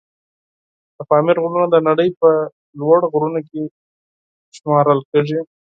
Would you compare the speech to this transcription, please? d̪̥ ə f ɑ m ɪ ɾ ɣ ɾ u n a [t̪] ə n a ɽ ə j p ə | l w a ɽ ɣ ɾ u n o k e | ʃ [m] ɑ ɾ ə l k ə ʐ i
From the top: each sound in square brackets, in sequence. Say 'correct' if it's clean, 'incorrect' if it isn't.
incorrect, correct

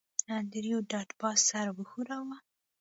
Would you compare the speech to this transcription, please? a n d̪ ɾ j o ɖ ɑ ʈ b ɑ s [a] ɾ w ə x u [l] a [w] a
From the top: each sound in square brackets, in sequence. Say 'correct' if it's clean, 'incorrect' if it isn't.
correct, incorrect, correct

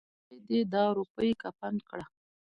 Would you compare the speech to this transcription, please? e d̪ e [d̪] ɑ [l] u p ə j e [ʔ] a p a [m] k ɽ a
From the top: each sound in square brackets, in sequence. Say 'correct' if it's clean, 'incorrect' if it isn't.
correct, incorrect, incorrect, incorrect

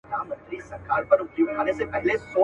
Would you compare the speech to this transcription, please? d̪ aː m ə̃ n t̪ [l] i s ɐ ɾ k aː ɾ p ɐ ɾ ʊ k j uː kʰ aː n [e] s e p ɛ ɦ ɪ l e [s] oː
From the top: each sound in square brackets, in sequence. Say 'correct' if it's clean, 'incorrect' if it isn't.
incorrect, correct, correct

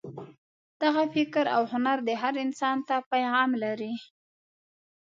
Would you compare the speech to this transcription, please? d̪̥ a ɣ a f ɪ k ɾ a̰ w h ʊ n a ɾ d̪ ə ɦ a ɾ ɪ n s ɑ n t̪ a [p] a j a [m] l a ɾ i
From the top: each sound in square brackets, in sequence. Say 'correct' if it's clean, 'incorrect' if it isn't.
correct, correct

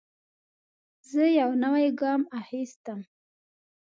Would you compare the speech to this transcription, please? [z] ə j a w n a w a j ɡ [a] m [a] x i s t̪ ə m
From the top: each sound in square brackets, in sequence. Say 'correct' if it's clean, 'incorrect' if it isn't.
correct, incorrect, correct

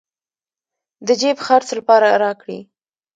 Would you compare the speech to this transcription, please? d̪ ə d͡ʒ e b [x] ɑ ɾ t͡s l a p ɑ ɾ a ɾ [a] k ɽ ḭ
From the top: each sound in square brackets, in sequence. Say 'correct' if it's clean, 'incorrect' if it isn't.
correct, incorrect

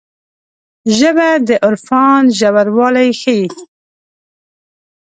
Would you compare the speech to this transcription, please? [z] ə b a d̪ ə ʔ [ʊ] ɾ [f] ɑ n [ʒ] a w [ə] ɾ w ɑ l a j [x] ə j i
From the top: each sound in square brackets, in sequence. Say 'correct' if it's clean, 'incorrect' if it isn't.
incorrect, correct, correct, correct, incorrect, correct

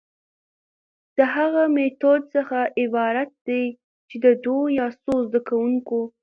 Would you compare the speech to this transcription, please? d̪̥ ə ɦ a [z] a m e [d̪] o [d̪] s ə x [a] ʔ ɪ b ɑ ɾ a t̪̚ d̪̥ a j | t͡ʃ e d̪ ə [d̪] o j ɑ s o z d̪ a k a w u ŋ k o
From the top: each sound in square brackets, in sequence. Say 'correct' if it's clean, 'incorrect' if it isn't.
incorrect, incorrect, correct, correct, correct

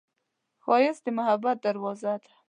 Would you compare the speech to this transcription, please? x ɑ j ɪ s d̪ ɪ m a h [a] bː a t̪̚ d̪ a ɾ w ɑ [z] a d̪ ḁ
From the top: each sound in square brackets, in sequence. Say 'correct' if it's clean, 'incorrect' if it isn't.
correct, correct

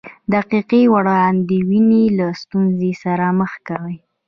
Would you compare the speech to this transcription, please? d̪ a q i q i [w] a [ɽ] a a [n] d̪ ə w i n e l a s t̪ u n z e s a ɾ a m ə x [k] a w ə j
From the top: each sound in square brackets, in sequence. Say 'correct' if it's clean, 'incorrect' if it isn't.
correct, correct, correct, correct

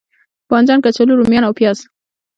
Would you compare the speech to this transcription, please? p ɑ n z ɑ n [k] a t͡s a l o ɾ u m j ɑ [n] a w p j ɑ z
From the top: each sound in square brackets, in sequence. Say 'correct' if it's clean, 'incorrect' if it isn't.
correct, correct

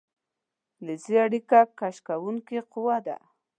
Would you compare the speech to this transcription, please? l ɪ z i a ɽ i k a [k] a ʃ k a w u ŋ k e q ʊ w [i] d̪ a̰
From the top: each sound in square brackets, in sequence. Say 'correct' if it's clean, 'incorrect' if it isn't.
correct, incorrect

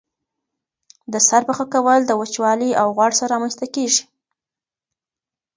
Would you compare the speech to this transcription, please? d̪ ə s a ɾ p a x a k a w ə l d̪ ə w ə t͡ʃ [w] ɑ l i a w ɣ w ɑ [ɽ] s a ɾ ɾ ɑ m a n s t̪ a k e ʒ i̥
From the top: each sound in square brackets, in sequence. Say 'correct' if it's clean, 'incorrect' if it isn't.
correct, correct

